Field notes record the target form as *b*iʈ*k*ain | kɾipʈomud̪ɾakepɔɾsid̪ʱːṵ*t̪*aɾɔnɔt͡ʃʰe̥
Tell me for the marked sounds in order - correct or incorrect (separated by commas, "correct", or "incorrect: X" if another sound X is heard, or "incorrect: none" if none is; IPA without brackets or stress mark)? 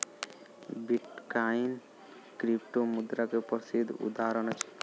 correct, correct, incorrect: d̪